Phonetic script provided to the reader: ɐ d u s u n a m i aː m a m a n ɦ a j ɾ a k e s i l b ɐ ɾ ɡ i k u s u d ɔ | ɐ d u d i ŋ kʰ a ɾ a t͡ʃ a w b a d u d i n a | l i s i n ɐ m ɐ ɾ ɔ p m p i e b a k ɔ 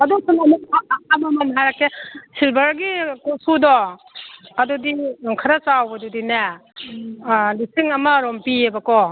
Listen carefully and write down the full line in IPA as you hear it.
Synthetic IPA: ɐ d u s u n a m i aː m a m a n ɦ a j ɾ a k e s i l b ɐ ɾ ɡ i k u s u d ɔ | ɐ d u d i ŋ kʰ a ɾ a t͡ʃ a w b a d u d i n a | l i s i ŋ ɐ m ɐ ɾ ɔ m p i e b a k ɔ